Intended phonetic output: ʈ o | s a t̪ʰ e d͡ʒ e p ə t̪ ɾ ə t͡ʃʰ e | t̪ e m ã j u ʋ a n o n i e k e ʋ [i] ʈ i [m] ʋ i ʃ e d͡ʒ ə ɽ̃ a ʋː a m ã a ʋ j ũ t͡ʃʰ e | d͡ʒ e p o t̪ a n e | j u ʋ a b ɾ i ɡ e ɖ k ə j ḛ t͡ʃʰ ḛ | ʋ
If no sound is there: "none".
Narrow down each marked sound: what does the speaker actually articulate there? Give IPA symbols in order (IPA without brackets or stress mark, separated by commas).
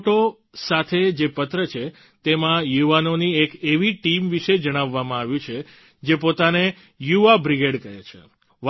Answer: i, m